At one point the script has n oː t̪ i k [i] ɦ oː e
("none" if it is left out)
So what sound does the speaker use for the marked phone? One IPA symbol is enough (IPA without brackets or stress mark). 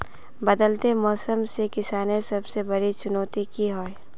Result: i